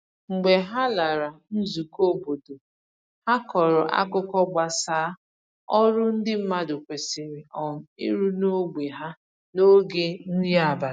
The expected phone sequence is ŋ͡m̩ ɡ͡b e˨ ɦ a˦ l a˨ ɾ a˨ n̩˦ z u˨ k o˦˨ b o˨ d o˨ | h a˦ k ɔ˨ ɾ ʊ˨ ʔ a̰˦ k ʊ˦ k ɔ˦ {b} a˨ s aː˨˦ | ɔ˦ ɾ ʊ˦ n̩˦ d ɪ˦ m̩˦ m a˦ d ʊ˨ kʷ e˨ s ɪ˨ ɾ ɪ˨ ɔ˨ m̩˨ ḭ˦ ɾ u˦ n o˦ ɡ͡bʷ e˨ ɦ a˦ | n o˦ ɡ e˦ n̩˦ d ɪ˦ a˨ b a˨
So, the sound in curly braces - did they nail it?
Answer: no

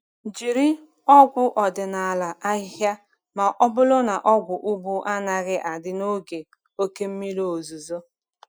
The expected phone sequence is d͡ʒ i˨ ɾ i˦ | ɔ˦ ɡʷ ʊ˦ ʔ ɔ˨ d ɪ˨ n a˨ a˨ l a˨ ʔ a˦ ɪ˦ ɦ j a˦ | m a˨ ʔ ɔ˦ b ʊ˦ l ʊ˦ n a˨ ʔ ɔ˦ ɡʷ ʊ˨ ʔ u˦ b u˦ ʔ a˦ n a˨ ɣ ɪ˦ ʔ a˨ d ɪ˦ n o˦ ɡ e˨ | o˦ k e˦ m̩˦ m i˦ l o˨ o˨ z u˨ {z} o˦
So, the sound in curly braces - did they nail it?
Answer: yes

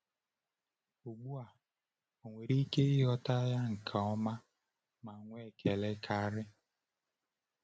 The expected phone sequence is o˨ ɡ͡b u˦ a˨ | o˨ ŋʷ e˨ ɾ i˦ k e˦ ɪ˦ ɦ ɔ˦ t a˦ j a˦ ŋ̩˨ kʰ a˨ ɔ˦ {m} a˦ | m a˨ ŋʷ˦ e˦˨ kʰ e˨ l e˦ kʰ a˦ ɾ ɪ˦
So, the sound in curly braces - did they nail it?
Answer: yes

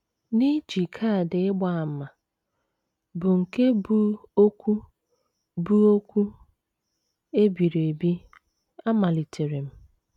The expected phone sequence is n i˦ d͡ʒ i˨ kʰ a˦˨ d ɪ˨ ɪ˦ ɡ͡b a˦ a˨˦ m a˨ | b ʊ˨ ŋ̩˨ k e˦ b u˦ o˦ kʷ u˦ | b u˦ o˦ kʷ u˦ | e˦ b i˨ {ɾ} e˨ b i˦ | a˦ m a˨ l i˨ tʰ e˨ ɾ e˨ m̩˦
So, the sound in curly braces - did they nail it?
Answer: yes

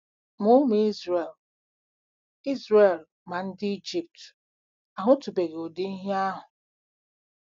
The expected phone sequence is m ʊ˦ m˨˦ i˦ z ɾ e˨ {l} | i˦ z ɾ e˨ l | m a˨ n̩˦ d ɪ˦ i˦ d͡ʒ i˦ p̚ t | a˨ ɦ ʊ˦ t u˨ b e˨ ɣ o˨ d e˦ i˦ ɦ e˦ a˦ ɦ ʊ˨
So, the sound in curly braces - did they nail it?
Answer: yes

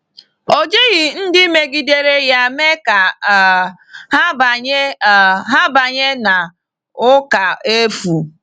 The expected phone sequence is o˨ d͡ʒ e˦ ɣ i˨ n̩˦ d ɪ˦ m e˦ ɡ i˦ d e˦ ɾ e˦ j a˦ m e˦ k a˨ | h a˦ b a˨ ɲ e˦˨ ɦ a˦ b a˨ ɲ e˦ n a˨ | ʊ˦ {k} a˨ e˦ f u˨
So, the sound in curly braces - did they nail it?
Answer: yes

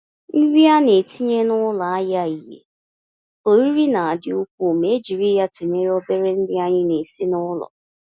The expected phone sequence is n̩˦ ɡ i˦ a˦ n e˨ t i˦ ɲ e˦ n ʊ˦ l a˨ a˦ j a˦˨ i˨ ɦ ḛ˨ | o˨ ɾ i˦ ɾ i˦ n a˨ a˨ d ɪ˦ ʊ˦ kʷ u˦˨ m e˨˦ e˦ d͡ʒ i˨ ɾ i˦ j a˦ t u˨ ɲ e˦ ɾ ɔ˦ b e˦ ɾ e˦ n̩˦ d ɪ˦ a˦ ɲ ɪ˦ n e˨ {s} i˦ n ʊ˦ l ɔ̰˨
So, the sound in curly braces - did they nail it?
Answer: yes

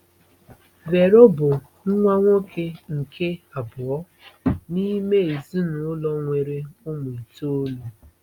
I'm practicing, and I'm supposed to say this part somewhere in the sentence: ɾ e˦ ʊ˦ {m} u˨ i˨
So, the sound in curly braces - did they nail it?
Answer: yes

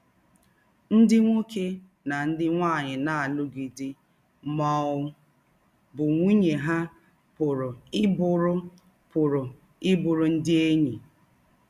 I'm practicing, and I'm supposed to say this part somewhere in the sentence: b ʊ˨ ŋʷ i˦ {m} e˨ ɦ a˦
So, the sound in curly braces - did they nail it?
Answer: no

